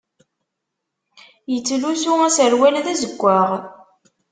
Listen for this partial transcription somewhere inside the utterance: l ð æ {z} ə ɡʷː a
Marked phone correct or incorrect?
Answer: correct